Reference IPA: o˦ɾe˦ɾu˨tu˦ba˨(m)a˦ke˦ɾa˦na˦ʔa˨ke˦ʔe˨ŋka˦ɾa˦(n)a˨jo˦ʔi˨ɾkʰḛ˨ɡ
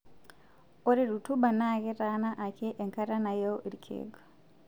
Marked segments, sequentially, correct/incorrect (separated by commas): incorrect, correct